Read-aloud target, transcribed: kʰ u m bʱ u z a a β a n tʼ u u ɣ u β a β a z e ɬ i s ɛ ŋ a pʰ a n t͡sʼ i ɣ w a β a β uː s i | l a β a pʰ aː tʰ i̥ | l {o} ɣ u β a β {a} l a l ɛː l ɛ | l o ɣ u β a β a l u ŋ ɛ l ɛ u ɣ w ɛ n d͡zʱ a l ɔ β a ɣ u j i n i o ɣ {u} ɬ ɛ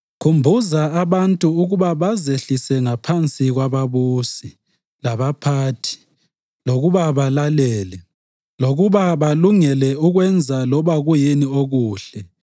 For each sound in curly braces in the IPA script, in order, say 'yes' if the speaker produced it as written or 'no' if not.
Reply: yes, yes, no

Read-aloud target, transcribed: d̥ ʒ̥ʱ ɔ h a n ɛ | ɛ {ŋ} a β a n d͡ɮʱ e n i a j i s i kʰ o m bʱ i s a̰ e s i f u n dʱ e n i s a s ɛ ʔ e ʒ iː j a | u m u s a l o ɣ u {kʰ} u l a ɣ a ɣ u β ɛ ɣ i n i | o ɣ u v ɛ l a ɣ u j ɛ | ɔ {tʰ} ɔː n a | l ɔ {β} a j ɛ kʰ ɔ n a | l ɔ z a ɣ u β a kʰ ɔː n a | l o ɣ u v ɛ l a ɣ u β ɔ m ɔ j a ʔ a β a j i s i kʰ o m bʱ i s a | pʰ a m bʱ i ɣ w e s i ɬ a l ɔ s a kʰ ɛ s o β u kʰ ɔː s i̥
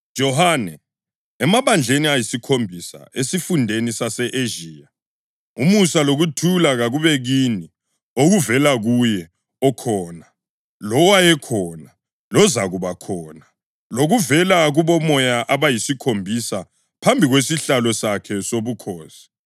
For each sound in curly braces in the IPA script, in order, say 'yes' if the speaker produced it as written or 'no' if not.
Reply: no, no, no, no

